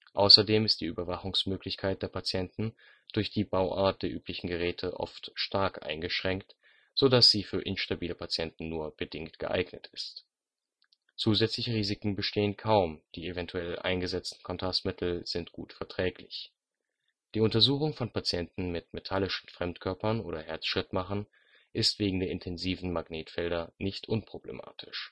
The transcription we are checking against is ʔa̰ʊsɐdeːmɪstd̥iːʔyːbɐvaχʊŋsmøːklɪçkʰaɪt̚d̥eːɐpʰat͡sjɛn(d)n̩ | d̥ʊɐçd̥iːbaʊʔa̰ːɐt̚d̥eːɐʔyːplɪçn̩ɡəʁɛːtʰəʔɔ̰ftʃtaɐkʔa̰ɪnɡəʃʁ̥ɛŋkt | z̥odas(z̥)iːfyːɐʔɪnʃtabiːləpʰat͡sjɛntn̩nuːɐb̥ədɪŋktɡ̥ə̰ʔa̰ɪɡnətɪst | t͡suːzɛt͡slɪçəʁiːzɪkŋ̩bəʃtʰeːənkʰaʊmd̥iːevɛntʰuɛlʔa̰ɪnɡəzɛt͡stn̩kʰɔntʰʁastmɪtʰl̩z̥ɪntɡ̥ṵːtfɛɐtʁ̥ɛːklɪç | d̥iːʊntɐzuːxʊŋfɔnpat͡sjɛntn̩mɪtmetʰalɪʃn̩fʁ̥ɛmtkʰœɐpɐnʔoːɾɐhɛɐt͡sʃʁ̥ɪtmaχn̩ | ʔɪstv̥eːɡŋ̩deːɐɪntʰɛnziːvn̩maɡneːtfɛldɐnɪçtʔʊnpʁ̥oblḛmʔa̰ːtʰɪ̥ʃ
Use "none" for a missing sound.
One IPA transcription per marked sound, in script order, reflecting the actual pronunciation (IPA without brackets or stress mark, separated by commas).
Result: t, z̥